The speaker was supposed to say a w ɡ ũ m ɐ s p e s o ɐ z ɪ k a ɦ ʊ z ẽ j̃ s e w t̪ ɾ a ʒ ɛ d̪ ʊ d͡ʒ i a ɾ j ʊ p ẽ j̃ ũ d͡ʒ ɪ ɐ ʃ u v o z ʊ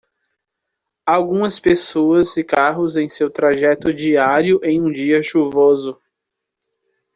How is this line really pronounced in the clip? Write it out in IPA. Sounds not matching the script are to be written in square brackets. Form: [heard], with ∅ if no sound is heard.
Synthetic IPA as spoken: a w ɡ ũ m ɐ s p e s o ɐ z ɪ k a ɦ ʊ z ẽ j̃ s e w t̪ ɾ a ʒ ɛ [t̪] ʊ d͡ʒ i a ɾ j ʊ [ʔ] ẽ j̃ ũ d͡ʒ [i] ɐ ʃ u v o z ʊ